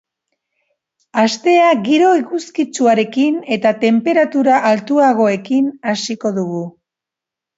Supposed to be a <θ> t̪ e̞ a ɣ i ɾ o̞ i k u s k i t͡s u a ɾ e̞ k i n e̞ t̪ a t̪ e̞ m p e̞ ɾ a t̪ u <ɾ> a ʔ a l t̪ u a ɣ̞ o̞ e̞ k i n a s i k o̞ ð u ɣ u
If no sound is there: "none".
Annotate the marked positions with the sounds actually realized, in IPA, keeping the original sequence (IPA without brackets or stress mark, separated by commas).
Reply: s, ɾ